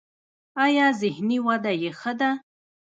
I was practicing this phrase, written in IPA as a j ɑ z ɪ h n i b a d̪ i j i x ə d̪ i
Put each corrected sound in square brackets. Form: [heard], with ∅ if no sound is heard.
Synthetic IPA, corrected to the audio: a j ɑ z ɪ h n i [w] a d̪ [a] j [e] x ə d̪ [a]